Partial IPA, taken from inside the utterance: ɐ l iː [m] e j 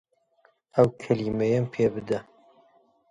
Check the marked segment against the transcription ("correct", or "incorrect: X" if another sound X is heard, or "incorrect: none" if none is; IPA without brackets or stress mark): correct